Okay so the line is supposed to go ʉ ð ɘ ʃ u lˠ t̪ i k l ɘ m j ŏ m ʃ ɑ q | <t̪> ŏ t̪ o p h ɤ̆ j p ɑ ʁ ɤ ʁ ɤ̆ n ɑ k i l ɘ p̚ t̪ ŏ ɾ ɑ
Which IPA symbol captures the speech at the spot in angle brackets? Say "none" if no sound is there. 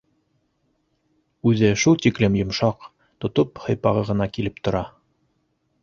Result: t̪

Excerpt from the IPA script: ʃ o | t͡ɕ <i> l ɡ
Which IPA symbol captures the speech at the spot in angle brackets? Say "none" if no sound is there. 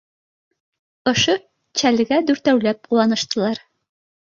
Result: æ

